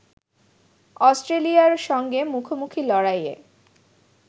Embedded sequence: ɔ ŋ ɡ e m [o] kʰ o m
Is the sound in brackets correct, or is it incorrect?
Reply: incorrect